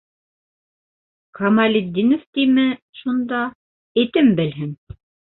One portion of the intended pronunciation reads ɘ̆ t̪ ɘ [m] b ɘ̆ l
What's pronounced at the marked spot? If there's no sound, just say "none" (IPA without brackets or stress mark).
m